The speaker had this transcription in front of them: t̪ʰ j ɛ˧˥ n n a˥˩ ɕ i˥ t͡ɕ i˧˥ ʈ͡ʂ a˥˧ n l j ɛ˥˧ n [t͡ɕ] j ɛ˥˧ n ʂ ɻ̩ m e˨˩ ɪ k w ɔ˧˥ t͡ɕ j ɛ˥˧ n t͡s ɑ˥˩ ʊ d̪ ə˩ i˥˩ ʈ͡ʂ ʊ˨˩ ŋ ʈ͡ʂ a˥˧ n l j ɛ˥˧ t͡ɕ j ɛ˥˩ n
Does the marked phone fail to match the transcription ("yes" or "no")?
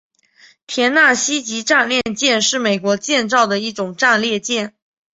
no